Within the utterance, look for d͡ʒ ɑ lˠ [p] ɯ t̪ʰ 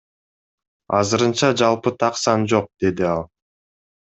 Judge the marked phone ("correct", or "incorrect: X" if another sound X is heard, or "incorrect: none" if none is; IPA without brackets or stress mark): correct